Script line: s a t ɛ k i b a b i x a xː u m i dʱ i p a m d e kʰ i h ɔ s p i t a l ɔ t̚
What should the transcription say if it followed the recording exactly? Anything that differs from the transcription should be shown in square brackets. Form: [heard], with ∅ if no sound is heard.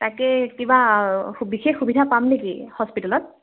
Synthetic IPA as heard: [t] a [k] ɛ k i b a b i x [e] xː u [b] i dʱ [a] p a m [n] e [k] i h ɔ s p i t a l ɔ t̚